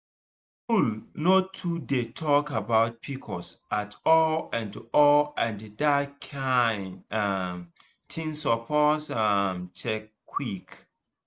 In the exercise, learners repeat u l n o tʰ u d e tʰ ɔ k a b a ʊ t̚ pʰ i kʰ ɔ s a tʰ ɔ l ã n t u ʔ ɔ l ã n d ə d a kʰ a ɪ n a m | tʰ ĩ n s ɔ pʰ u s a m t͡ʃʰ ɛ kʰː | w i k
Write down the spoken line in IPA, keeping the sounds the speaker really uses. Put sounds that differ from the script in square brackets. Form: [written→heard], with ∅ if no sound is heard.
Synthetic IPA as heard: u l n o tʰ u d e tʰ ɔ k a b a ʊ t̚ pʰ i kʰ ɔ s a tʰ ɔ l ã n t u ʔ ɔ l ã n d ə d a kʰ a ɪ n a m | tʰ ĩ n s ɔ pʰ [u→ɔ] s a m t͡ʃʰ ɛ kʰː | w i k